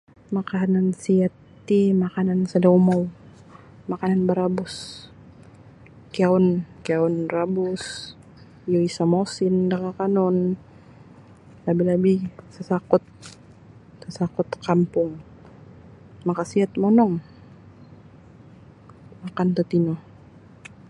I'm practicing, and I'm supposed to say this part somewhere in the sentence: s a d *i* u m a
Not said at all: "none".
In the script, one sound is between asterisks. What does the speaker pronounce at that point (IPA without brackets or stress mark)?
a